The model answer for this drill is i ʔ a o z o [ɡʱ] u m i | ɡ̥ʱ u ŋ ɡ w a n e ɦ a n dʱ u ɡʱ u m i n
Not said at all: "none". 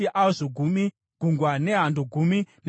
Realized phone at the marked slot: ɡʱ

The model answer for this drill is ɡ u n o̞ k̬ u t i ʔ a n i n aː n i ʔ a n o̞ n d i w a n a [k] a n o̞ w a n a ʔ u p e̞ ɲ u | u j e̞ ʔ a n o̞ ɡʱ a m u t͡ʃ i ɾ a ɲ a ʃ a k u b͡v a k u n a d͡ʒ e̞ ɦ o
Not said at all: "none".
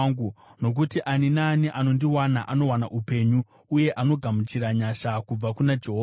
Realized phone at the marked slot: ʔ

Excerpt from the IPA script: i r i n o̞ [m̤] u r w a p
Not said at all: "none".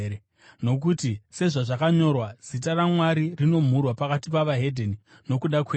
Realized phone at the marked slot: m̤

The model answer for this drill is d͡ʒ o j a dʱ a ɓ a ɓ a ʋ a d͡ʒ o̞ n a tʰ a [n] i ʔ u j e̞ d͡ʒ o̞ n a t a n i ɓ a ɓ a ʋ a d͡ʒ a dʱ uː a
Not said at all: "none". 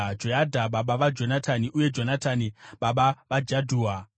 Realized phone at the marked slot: n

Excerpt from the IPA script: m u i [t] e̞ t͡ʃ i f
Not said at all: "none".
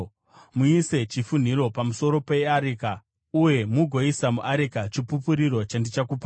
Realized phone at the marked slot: s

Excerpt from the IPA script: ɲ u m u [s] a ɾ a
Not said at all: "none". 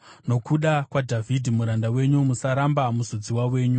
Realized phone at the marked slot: s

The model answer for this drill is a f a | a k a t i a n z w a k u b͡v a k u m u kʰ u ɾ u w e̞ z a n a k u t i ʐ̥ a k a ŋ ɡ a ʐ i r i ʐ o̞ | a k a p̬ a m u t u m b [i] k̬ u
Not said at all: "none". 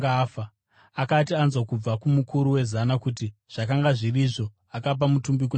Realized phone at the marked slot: i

